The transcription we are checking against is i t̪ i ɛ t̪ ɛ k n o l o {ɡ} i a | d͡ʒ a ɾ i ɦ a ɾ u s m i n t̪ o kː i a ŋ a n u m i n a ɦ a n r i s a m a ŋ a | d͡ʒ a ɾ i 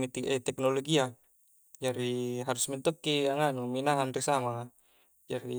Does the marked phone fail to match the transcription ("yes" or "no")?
no